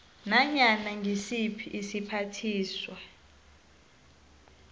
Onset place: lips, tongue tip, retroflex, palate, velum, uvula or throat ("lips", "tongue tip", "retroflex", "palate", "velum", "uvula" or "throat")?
tongue tip